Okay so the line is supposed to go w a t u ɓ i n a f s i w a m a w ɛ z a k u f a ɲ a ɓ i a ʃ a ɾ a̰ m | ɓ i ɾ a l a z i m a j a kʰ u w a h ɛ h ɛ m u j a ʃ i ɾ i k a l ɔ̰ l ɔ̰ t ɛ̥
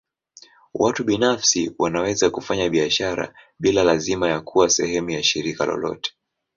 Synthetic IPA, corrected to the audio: w a t u ɓ i n a f s i w a n a w ɛ z a k u f a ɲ a ɓ i a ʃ a ɾ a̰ | ɓ i l a l a z i m a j a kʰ u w a s ɛ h ɛ m u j a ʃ i ɾ i k a l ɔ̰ l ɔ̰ t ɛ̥